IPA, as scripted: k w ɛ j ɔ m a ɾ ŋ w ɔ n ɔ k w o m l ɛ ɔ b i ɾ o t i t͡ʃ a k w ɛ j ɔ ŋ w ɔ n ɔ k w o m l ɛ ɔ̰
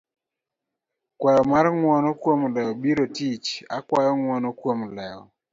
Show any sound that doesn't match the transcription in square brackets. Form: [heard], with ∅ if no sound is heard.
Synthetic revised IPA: k w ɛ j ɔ m a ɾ ŋ w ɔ n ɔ k w o m l ɛ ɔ b i ɾ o t i t͡ʃ a k w [a] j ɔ ŋ w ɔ n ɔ k w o m l ɛ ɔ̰